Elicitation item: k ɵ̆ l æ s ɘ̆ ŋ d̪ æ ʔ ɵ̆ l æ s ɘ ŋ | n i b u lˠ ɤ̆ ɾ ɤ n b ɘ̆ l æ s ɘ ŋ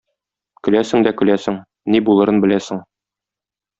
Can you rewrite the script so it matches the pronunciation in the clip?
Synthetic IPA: k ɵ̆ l æ s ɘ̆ ŋ d̪ æ k ɵ̆ l æ s ɘ ŋ | n i b u lˠ ɤ̆ ɾ ɤ n b ɘ̆ l æ s ɘ ŋ

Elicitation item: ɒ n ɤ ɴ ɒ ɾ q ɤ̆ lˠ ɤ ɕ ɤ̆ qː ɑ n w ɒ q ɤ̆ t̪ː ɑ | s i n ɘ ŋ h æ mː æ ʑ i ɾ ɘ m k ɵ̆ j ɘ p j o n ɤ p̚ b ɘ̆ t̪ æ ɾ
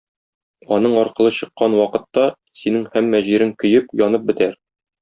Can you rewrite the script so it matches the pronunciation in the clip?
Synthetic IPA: ɒ n ɤ ɴ ɒ ɾ q ɤ̆ lˠ ɤ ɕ ɤ̆ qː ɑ n w ɒ q ɤ̆ t̪ː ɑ | s i n ɘ ŋ h æ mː æ ʑ i ɾ ɘ ŋ k ɵ̆ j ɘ p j ɒ n ɤ p̚ b ɘ̆ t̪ æ ɾ

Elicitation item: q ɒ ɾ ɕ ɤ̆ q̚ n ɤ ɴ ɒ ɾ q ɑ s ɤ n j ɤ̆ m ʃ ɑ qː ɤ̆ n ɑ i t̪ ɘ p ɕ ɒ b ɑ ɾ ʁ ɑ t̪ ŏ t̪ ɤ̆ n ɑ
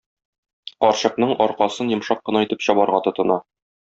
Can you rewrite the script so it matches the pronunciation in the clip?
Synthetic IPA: q ɒ ɾ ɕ ɤ̆ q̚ n ɤ ɴ ɒ ɾ q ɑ s ɤ n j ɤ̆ m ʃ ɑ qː ɤ̆ n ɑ i t̪ ɘ p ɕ ɒ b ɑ ɾ ʁ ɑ t̪ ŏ t̪ ɤ̆ n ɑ

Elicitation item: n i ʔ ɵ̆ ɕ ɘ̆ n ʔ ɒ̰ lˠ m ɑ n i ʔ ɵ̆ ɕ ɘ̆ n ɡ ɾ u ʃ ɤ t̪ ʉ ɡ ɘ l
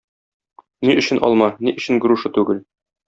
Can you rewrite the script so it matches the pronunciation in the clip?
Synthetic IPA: n i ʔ ɵ̆ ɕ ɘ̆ n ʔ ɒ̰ lˠ m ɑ n i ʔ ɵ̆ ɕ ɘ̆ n ɡ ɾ u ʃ ɤ t̪ ʉ ɡ ɘ l

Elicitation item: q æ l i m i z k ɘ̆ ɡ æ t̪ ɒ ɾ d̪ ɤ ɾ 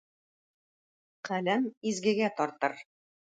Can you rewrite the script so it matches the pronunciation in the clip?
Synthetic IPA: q æ l æ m i z ɡ ɘ̆ ɡ æ t̪ ɒ ɾ t̪ ɤ ɾ

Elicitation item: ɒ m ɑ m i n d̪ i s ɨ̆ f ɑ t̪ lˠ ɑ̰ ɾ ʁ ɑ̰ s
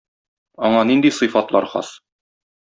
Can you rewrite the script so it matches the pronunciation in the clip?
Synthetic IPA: ɒ ɴ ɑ n i n d̪ i s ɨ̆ f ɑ t̪ lˠ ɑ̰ ɾ χ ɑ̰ s

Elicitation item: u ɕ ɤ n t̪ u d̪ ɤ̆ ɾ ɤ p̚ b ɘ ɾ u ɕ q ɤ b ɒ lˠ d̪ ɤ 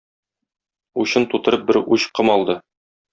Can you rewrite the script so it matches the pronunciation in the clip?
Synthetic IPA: u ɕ ɤ n t̪ u t̪ ɤ̆ ɾ ɤ p̚ b ɘ ɾ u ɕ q ɤ m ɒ lˠ d̪ ɤ

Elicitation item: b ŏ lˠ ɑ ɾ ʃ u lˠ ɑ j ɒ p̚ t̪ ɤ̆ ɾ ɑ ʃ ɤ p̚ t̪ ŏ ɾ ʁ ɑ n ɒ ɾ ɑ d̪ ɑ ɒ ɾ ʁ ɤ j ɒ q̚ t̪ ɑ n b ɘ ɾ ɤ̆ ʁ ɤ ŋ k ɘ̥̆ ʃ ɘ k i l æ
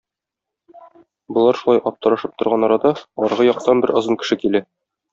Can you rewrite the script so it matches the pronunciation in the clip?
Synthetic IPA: b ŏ lˠ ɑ ɾ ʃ u lˠ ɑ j ɒ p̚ t̪ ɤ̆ ɾ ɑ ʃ ɤ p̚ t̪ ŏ ɾ ʁ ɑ n ɒ ɾ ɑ d̪ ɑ ɒ ɾ ʁ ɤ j ɒ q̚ t̪ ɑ n b ɘ ɾ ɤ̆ z ɤ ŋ k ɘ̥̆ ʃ ɘ k i l æ

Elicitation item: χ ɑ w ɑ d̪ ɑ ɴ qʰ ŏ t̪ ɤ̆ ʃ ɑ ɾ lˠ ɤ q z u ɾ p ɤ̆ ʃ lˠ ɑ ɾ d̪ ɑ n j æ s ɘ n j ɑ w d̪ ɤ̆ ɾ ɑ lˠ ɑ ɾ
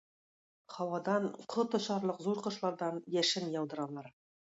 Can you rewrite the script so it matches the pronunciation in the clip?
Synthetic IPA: χ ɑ w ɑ d̪ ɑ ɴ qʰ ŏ t̪ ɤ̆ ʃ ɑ ɾ lˠ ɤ q z u ɾ q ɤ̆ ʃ lˠ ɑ ɾ d̪ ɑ n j æ ʃ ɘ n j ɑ w d̪ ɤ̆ ɾ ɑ lˠ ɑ ɾ

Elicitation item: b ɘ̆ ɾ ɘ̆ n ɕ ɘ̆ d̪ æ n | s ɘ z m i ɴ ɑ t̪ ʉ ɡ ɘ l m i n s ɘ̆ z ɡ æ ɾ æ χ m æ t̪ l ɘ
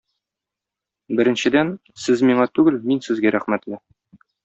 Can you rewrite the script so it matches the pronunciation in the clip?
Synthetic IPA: b ɘ̆ ɾ ɘ̆ n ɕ ɘ̆ d̪ æ n | s ɘ z m i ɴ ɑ t̪ ʉ ɡ ɘ l m i n s ɘ̆ z ɡ æ ɾ æ χ m æ t̪ l ɘ

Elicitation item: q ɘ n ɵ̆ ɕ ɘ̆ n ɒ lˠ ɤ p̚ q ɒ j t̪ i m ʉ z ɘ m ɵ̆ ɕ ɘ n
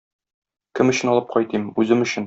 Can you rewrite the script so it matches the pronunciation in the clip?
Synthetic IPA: k ɘ m ɵ̆ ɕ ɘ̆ n ɒ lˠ ɤ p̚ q ɒ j t̪ i m ʉ z ɘ m ɵ̆ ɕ ɘ n

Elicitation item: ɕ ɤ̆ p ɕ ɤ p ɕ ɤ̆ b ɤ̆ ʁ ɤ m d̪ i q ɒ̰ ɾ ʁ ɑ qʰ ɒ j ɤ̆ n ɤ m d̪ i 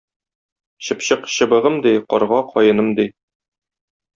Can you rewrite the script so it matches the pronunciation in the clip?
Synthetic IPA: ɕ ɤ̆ p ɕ ɤ q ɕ ɤ̆ b ɤ̆ ʁ ɤ m d̪ i q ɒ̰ ɾ ʁ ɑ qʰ ɒ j ɤ̆ n ɤ m d̪ i

